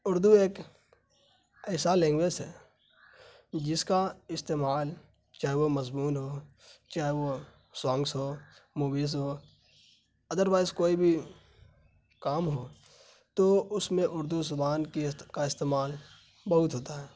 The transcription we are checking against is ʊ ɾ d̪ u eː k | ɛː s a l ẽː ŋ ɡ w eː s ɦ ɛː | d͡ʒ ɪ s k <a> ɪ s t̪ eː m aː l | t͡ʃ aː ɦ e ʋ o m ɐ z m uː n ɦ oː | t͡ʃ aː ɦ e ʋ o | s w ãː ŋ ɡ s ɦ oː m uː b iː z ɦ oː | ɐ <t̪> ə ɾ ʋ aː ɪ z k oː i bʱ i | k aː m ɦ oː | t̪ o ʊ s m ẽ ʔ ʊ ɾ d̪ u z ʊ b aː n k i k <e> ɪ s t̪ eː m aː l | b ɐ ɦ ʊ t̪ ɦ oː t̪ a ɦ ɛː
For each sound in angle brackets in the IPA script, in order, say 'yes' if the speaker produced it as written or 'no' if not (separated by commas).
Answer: yes, no, no